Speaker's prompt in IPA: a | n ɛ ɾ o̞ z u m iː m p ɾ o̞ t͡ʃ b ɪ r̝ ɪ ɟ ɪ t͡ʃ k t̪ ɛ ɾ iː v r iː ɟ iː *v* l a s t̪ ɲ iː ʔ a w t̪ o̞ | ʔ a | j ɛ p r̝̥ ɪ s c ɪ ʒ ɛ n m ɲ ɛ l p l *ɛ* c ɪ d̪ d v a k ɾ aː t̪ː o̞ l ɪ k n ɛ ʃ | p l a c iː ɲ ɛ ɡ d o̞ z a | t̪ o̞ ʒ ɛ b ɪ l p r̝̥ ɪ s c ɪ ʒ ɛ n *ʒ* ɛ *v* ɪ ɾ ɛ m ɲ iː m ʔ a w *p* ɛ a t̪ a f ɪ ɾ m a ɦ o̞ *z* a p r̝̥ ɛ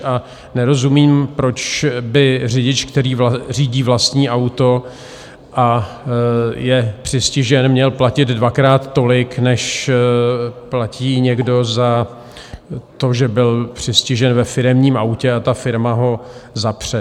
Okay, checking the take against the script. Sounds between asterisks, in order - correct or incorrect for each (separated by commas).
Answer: correct, incorrect, incorrect, incorrect, incorrect, correct